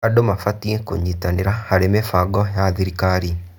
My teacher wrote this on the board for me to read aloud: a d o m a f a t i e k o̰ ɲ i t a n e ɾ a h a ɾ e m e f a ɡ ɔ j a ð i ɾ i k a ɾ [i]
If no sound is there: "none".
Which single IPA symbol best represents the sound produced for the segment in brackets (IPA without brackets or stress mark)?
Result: i